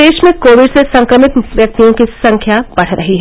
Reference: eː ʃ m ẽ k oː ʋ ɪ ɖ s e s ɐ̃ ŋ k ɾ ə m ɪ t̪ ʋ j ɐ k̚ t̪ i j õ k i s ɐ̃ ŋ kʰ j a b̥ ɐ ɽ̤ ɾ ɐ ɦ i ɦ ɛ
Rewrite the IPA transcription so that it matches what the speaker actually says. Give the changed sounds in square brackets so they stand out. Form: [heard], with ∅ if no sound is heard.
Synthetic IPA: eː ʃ m ẽ k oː ʋ ɪ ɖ s e s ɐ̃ ŋ k ɾ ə m ɪ t̪ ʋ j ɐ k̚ t̪ i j õ k i s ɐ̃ ŋ kʰ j a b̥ ɐ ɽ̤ ɾ ɐ ɦ i ɦ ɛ